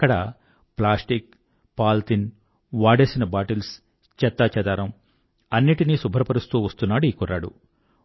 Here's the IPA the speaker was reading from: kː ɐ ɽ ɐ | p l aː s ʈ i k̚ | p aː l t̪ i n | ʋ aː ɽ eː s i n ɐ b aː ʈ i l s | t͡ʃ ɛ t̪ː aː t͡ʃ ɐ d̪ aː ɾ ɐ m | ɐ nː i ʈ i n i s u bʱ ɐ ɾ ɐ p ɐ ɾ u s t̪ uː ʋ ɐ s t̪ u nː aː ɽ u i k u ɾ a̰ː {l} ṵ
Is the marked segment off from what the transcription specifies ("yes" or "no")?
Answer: yes